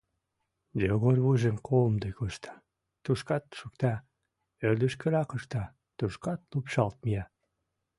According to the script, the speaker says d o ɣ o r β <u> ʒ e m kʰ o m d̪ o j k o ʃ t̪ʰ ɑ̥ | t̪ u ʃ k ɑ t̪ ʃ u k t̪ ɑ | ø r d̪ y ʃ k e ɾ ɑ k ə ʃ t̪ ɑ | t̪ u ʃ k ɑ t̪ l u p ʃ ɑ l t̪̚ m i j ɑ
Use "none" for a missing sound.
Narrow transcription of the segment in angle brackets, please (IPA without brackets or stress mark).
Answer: u